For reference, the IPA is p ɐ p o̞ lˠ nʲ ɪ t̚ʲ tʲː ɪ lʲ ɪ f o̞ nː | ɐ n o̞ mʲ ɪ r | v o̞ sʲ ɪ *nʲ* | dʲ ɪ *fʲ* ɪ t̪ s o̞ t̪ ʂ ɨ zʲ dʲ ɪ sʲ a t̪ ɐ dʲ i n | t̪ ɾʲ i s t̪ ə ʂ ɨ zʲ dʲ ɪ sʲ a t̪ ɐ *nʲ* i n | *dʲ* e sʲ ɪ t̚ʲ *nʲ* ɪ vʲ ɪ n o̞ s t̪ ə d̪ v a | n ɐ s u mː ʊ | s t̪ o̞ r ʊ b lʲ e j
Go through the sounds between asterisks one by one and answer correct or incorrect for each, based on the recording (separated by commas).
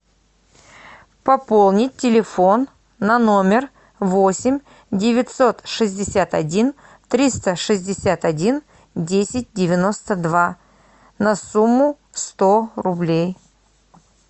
incorrect, incorrect, incorrect, correct, incorrect